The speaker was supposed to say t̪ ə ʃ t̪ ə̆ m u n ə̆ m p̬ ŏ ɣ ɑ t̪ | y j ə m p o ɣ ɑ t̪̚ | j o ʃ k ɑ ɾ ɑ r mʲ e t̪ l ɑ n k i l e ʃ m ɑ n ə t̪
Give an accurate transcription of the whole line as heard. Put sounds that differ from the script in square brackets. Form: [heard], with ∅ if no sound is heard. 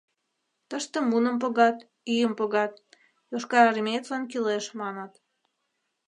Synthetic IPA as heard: t̪ ə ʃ t̪ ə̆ m u n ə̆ m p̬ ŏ ɣ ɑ t̪ | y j ə m p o ɣ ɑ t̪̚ | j o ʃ k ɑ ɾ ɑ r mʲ e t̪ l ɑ n k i l e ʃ m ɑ n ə t̪